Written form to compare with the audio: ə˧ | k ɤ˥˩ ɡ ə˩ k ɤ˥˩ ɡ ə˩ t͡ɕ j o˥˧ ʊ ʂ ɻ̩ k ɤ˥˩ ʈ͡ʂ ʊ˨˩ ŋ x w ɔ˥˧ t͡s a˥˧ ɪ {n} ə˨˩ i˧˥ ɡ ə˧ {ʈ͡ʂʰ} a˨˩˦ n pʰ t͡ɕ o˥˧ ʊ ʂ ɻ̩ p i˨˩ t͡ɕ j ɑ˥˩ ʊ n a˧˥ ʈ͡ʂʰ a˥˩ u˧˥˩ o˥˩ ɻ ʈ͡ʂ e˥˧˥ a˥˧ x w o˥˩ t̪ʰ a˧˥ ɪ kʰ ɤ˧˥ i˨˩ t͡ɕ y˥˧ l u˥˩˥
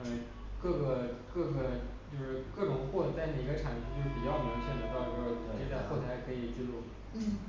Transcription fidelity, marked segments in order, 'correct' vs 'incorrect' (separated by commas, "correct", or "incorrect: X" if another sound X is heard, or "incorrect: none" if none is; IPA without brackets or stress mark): correct, correct